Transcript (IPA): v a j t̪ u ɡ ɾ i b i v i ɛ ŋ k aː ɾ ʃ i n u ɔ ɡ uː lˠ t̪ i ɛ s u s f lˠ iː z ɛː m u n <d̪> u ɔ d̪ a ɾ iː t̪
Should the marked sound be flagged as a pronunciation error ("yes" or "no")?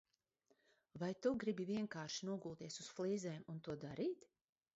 yes